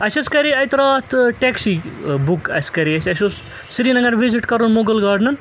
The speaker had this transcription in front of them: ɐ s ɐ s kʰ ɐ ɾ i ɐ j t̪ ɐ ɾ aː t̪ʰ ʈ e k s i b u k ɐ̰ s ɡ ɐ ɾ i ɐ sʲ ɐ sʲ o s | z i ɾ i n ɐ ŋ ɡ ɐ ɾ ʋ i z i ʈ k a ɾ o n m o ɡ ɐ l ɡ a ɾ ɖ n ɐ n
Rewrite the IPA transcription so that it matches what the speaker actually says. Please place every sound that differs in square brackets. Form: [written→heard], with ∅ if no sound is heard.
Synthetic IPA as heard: ɐ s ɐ s [kʰ→k] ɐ ɾ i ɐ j t̪ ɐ ɾ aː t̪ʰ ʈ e k s i b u k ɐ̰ s [ɡ→k] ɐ ɾ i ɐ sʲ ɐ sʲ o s | [z→s] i ɾ i n ɐ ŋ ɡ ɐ ɾ ʋ i z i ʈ k [a→ɐ] ɾ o n m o ɡ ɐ l ɡ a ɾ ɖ n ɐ n